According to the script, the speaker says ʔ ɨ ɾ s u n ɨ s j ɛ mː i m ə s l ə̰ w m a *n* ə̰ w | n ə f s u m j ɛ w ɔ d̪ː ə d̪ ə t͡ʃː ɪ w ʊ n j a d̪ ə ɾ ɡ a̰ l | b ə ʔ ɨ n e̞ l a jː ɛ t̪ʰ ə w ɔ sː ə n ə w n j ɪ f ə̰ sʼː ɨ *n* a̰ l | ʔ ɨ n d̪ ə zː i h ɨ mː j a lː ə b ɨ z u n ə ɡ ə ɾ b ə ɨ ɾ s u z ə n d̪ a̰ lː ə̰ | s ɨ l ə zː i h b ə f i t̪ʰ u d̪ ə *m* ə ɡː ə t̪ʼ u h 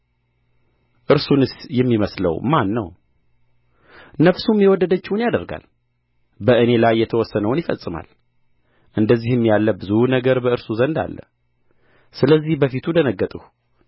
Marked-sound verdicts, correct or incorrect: incorrect: nː, incorrect: m, incorrect: n

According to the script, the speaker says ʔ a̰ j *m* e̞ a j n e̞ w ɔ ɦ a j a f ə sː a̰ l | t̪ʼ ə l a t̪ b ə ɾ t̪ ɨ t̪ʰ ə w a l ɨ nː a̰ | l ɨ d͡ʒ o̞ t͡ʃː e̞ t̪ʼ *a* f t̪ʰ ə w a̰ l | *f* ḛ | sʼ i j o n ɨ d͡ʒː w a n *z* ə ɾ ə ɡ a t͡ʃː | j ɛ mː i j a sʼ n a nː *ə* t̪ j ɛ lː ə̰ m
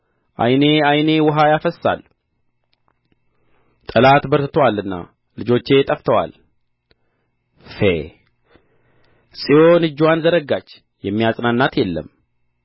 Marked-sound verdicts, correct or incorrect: incorrect: n, incorrect: ə, correct, correct, incorrect: a

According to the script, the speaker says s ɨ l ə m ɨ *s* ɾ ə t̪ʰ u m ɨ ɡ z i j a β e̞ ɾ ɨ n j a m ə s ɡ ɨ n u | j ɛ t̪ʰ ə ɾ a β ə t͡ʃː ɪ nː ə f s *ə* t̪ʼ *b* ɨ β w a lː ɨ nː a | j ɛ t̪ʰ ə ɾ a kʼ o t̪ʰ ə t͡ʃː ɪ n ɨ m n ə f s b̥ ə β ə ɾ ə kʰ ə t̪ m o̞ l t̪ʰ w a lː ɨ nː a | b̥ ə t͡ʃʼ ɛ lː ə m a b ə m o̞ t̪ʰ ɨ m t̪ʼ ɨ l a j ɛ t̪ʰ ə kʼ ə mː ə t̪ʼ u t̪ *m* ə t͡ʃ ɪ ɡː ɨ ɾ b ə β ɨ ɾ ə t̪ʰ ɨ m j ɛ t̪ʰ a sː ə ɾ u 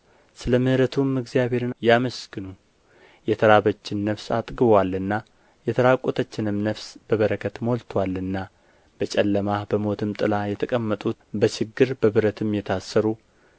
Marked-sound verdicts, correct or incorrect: incorrect: h, incorrect: a, incorrect: ɡ, incorrect: b

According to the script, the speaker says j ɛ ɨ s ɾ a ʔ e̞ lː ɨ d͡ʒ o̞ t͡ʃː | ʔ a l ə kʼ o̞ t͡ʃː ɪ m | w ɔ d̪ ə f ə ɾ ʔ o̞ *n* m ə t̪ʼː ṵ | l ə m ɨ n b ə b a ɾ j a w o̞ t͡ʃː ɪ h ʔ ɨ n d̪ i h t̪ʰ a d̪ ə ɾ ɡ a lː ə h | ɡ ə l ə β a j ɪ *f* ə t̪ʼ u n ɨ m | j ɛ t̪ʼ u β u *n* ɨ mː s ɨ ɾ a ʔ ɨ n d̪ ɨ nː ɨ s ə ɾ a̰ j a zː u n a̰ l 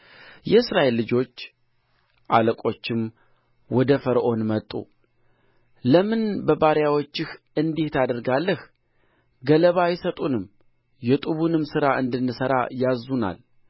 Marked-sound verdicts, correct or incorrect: correct, incorrect: s, correct

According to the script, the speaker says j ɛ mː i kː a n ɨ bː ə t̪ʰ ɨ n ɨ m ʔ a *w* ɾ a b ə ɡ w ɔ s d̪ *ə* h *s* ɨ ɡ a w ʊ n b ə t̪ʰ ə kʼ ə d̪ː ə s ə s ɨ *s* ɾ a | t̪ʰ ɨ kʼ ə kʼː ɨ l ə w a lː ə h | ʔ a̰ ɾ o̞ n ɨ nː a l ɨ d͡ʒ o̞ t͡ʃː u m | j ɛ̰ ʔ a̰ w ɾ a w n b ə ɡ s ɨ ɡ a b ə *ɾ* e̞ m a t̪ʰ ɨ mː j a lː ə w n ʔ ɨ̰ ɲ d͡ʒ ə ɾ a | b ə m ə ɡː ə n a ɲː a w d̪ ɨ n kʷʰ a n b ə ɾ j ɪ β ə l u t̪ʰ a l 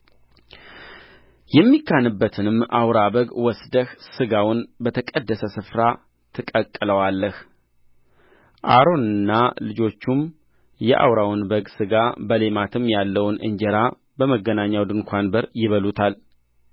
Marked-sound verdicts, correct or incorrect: correct, correct, correct, incorrect: f, incorrect: l

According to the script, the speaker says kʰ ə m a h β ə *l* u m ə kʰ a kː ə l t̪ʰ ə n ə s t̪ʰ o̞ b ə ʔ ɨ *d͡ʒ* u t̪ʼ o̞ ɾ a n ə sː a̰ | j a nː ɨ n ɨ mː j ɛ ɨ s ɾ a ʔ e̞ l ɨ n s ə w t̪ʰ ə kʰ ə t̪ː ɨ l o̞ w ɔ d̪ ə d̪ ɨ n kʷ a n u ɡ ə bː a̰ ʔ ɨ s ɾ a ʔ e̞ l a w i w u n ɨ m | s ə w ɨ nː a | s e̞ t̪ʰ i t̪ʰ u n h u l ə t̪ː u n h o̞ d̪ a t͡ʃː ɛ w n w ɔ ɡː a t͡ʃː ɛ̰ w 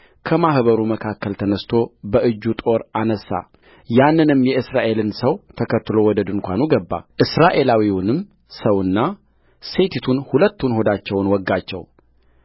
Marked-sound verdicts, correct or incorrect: incorrect: ɾ, incorrect: d͡ʒː

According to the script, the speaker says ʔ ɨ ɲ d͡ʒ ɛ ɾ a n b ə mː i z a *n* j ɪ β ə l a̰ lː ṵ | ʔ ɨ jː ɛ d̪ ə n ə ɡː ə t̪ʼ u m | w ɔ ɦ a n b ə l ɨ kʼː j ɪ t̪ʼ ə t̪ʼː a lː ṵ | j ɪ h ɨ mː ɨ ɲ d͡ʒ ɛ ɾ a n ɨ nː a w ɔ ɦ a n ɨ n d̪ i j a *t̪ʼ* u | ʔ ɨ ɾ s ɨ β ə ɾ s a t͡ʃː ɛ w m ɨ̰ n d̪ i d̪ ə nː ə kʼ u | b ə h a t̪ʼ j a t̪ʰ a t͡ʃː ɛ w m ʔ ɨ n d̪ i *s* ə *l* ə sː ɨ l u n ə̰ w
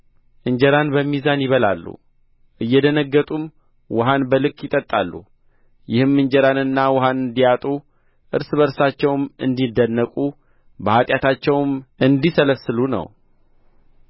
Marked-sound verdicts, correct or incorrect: correct, correct, correct, correct

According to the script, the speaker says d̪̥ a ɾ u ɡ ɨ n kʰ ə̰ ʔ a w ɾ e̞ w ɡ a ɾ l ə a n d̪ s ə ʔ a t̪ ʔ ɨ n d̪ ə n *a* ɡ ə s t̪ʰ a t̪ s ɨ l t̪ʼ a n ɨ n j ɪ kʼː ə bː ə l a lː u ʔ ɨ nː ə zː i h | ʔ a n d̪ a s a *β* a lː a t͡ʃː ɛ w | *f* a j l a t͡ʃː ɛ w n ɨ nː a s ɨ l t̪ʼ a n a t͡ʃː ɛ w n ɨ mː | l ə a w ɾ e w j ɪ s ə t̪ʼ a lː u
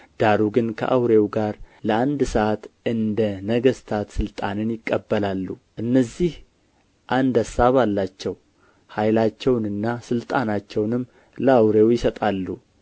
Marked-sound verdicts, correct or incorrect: incorrect: ə, correct, incorrect: h

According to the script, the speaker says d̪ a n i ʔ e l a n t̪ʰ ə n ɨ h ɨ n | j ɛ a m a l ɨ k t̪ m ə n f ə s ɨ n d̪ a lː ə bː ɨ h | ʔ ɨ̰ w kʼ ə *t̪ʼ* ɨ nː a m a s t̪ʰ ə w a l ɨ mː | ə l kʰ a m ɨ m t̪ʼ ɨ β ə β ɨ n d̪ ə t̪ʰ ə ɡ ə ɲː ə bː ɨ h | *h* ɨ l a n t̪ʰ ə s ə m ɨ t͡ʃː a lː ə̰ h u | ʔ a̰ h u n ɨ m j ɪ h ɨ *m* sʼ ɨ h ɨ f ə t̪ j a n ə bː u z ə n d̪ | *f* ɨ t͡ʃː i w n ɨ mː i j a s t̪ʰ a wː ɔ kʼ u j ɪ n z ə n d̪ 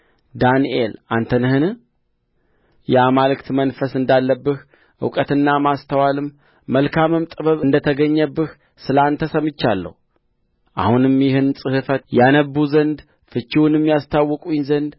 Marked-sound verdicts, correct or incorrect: incorrect: t̪, incorrect: s, incorrect: n, correct

